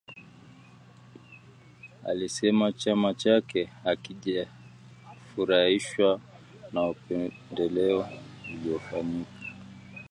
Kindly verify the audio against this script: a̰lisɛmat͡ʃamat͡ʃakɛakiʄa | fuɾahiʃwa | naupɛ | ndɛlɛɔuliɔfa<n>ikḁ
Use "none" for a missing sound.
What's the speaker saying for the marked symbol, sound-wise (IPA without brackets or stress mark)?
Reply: ɲ